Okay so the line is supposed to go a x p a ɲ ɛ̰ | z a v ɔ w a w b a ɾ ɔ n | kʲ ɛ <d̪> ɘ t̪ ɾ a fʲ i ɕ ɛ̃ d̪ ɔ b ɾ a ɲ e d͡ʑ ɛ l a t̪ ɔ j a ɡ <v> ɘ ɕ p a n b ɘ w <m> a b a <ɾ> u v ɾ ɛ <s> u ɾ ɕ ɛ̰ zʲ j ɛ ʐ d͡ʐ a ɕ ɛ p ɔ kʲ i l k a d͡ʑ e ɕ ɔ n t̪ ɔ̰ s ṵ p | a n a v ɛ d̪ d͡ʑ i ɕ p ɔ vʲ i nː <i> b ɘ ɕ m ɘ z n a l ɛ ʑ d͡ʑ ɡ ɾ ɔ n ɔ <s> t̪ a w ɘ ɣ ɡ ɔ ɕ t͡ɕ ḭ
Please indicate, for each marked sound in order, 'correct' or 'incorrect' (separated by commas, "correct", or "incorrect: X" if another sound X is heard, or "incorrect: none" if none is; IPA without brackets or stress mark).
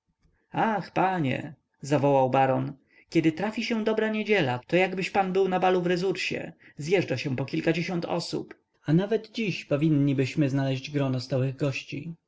correct, incorrect: b, incorrect: n, incorrect: l, incorrect: z, correct, correct